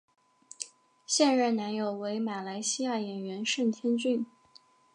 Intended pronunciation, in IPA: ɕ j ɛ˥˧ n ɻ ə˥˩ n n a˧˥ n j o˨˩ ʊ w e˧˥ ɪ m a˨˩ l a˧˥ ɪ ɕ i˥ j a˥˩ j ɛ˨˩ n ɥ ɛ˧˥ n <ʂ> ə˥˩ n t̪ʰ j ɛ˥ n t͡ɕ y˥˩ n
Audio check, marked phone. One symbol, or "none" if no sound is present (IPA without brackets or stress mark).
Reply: ʂ